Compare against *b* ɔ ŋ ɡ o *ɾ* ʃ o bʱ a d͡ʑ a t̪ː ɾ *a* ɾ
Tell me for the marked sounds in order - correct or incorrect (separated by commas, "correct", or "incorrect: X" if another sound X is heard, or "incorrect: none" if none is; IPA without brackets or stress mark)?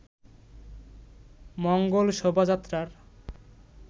incorrect: m, incorrect: l, correct